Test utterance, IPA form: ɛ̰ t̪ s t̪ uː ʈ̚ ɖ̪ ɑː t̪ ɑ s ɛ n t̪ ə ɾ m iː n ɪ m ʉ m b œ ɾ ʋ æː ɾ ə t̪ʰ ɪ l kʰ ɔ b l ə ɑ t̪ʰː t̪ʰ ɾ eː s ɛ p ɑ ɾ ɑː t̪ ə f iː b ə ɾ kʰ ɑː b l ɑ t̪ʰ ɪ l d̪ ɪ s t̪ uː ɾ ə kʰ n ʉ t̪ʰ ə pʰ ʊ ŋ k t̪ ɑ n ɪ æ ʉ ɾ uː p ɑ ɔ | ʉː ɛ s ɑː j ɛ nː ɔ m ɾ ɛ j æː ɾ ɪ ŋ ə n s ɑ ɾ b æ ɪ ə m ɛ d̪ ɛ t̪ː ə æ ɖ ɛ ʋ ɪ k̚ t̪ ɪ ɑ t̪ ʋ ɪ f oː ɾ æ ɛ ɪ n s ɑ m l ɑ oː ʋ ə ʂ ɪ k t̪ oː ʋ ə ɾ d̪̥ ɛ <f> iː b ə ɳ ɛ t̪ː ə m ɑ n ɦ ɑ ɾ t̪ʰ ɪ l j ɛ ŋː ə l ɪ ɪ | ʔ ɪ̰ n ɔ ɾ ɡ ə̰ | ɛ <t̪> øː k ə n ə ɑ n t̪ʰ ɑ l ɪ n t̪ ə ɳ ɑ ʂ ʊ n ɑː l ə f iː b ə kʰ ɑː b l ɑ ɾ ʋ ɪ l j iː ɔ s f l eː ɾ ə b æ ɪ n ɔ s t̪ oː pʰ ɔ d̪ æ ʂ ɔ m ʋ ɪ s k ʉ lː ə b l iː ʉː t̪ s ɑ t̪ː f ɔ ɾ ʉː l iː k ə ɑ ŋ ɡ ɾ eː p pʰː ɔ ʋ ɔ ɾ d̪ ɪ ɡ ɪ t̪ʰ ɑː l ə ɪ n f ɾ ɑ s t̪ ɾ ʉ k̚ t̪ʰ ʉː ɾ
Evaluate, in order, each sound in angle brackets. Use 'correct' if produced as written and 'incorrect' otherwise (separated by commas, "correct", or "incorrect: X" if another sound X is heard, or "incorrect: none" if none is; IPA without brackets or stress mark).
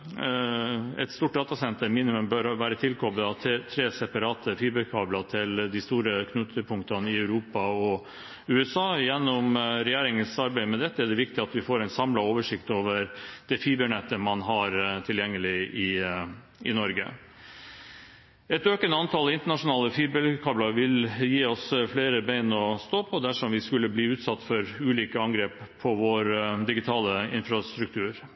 correct, correct